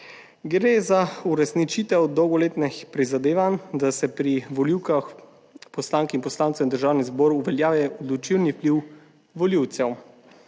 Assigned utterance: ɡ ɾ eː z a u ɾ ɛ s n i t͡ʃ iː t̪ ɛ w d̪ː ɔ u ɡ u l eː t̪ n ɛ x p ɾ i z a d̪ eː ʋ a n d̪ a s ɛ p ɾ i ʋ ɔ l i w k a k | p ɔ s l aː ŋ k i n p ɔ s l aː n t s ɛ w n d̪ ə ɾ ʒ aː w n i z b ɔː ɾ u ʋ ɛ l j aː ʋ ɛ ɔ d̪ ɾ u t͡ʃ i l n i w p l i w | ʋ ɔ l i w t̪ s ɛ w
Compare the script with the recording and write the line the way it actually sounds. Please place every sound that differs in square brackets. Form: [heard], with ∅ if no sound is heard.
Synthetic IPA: ɡ ɾ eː z a u ɾ ɛ s n i t͡ʃ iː t̪ ɛ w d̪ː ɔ [w] ɡ [ɔ] l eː t̪ n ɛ x p ɾ i z a d̪ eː ʋ a n d̪ a s ɛ p ɾ i ʋ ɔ l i w k a [x] | p ɔ s l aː ŋ k i n p ɔ s l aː n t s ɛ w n d̪ ə ɾ ʒ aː w n i z b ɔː ɾ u ʋ ɛ l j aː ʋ ɛ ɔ d̪ [l] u t͡ʃ i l n i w p l i w | ʋ ɔ l i w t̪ s ɛ w